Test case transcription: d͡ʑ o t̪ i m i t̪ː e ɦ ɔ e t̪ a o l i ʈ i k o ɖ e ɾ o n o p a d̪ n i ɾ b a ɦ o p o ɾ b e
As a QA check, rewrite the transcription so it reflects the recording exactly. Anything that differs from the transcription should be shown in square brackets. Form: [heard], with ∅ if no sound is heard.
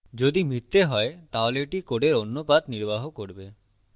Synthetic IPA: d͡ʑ o [d̪] i m i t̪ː e ɦ ɔ e t̪ a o l [e] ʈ i k o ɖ e ɾ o [nː] o p a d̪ n i ɾ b a ɦ o [k] o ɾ b e